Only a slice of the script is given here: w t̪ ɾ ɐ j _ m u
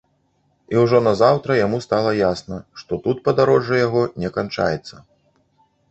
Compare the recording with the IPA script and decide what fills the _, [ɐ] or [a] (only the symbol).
a